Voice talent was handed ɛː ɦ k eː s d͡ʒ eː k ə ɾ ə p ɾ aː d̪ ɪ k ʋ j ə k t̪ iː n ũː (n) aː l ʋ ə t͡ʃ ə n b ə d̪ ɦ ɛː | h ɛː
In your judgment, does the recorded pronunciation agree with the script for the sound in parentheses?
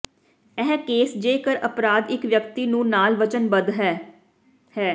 yes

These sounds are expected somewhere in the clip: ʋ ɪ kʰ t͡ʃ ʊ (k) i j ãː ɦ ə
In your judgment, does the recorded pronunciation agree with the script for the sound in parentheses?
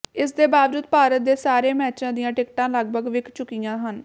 yes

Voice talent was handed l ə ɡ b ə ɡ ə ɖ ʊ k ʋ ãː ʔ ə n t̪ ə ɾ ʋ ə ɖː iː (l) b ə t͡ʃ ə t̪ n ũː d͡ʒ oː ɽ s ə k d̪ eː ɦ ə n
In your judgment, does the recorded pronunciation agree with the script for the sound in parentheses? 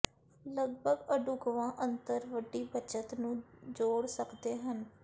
no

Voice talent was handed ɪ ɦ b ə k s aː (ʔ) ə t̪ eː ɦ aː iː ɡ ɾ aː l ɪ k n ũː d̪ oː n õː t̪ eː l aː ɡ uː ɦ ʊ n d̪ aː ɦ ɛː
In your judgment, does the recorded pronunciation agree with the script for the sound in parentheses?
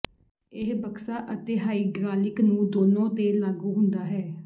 yes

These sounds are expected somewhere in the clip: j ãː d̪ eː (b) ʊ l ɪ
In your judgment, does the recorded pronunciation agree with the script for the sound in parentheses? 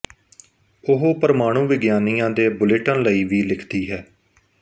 yes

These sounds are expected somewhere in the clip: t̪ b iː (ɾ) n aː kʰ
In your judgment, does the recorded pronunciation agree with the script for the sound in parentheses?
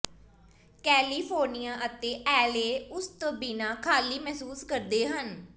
no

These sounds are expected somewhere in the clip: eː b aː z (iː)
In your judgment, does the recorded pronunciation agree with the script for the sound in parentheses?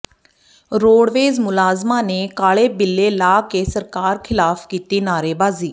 yes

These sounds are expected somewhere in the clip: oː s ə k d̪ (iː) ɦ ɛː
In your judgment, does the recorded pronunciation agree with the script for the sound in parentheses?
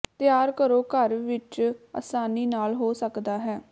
no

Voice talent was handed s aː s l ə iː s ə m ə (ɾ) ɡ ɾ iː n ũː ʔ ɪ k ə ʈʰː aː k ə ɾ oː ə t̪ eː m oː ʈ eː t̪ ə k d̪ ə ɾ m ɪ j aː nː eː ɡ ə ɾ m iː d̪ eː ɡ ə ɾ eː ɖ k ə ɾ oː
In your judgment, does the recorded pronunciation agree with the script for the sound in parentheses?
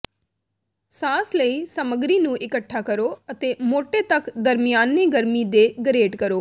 no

